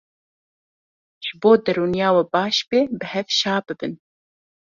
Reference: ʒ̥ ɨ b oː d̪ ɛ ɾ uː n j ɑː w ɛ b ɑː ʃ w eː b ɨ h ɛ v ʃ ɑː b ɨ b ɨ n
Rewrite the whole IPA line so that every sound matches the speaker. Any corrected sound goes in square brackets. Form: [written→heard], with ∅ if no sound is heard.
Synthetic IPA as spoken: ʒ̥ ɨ b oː d̪ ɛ ɾ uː n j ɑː w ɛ b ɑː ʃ [w→b] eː b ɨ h ɛ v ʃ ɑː b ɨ b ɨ n

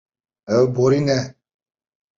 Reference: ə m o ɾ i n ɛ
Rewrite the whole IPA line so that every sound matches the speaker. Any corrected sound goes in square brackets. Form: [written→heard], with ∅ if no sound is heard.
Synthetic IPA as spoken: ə [m→b] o ɾ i n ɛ

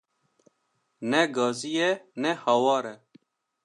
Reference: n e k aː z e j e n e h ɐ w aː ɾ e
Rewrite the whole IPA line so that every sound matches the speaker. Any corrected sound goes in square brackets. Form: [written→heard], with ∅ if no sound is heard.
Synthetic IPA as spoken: n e [k→ɡ] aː z [e→i] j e n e h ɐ w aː ɾ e

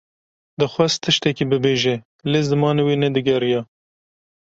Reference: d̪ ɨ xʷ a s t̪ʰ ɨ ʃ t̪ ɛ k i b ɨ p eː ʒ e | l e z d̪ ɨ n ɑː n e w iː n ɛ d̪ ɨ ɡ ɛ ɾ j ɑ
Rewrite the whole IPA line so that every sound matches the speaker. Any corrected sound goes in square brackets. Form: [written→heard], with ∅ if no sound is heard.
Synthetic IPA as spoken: d̪ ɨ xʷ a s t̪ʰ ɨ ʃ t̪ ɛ k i b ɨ [p→b] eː ʒ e | l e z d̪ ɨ [n→m] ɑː n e w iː n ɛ d̪ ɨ ɡ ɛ ɾ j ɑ

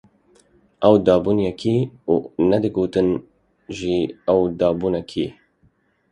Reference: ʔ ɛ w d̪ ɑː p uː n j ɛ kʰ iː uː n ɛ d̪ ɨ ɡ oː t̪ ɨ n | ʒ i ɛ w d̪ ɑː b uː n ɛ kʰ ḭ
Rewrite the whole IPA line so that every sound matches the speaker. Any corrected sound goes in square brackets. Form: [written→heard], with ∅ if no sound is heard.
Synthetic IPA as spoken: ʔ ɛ w d̪ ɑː [p→b] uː n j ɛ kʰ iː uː n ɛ d̪ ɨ ɡ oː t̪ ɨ n | ʒ i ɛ w d̪ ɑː b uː n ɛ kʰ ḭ

